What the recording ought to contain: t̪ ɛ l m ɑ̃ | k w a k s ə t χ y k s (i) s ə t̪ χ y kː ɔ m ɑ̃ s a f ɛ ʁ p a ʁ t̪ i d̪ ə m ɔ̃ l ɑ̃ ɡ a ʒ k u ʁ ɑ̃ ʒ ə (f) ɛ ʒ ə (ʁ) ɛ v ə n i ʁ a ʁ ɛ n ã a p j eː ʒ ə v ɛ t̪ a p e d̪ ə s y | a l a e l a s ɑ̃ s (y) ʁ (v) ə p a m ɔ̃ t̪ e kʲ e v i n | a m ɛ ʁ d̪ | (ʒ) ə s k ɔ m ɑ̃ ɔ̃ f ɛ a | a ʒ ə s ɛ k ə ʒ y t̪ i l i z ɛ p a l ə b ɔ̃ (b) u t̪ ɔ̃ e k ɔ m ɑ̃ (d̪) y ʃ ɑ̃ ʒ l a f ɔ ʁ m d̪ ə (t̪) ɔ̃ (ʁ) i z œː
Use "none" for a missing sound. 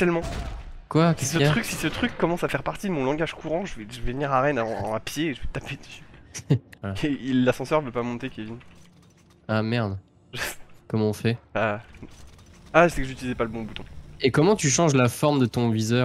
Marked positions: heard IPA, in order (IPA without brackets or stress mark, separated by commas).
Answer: i, v, v, œ, v, ʒ, b, t̪, t̪, v